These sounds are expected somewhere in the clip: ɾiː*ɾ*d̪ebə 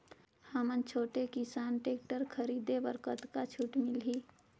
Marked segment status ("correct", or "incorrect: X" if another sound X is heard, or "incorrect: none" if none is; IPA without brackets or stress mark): incorrect: none